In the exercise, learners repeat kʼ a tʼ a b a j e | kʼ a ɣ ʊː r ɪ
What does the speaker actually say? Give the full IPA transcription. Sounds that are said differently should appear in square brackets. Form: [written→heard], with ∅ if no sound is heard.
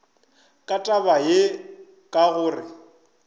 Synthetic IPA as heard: kʼ a tʼ a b a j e | kʼ a ɣ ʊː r ɪ